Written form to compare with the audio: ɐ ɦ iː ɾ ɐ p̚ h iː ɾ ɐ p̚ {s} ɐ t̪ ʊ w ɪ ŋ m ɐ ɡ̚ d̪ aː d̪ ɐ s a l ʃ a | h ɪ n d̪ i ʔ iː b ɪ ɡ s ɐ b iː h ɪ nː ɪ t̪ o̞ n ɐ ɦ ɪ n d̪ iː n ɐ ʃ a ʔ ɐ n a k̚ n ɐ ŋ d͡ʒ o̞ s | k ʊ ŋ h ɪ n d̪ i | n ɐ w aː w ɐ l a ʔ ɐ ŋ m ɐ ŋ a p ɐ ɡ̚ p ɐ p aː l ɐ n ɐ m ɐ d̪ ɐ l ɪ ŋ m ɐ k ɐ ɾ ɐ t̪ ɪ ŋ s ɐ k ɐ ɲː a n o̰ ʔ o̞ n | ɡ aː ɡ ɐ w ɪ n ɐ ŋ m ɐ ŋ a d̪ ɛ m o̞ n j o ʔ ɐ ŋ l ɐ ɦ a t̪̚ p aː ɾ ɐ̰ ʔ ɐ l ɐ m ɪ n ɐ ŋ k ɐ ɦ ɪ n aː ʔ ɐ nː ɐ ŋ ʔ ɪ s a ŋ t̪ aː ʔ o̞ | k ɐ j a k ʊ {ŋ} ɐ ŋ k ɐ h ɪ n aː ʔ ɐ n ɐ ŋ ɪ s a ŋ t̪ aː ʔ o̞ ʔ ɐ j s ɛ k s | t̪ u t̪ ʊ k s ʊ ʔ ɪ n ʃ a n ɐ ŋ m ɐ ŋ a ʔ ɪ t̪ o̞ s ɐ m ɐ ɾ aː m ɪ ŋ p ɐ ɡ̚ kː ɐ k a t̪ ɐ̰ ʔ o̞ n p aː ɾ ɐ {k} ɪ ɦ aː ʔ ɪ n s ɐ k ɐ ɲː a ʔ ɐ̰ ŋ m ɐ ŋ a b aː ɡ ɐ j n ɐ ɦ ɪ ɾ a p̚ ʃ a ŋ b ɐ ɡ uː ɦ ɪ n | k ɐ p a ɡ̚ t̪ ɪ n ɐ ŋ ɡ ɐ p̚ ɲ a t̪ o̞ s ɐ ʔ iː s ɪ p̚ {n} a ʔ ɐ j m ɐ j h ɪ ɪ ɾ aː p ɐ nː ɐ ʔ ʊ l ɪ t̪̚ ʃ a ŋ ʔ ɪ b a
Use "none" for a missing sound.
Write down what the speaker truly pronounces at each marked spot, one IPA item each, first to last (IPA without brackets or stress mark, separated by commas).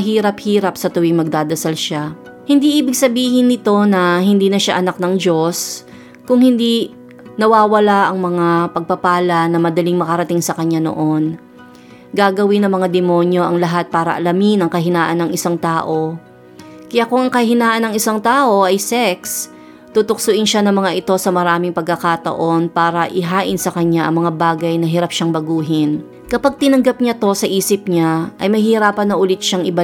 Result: s, ŋ, ʔ, ɲ